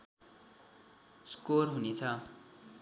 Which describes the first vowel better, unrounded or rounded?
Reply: rounded